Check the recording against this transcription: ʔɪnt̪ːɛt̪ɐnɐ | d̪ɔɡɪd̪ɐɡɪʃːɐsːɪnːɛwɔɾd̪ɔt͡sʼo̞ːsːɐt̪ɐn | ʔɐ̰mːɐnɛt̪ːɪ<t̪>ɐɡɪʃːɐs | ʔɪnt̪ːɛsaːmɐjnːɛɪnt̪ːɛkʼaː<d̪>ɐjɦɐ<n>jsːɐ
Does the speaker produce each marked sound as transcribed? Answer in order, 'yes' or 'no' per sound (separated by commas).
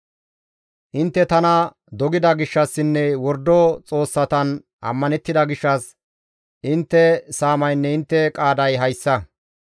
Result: no, yes, no